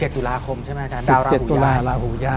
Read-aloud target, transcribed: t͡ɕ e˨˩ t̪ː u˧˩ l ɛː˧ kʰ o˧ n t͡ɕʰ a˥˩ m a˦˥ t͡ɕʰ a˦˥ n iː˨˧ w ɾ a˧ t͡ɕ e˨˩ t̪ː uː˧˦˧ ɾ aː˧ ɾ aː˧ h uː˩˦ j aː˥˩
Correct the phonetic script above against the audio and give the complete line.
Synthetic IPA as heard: t͡ɕ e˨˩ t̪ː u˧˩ l aː˧ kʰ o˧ m t͡ɕʰ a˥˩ m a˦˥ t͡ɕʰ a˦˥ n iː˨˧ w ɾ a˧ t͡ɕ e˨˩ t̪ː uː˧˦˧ l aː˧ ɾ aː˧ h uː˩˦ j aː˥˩